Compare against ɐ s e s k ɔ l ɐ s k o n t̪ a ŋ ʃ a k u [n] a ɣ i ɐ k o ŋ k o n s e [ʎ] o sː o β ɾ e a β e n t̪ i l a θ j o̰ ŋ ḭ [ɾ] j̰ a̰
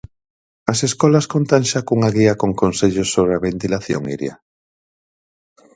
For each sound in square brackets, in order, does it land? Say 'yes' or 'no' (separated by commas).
no, yes, yes